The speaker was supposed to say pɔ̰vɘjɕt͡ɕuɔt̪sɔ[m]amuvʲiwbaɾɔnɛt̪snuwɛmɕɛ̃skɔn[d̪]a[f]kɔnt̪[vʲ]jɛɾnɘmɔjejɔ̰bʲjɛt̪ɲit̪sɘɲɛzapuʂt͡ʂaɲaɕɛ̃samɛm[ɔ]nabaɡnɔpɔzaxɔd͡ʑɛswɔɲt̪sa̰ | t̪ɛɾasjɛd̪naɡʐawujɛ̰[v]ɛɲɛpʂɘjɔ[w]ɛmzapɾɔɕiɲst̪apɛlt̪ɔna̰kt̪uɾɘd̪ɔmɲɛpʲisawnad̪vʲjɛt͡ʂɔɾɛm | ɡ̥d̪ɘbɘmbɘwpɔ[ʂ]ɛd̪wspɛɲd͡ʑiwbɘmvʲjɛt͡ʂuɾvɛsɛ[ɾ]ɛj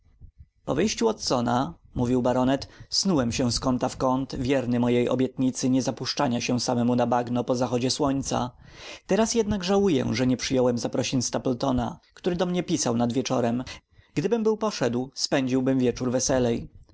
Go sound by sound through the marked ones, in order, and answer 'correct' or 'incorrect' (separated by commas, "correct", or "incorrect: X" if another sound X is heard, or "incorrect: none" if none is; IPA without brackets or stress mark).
incorrect: n, incorrect: t̪, correct, correct, incorrect: u, incorrect: ʐ, correct, correct, incorrect: l